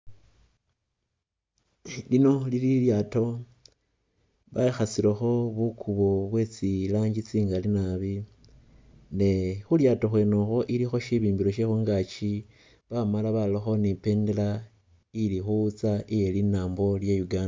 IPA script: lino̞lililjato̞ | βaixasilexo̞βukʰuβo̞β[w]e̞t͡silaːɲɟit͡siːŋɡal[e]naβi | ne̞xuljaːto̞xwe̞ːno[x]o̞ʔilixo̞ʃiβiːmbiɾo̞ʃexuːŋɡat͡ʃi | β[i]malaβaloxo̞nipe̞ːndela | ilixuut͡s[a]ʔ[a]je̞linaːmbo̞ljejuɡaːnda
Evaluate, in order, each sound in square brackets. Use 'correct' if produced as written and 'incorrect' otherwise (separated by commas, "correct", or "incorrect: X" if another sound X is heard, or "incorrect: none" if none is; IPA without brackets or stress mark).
correct, incorrect: i, correct, incorrect: a, correct, incorrect: i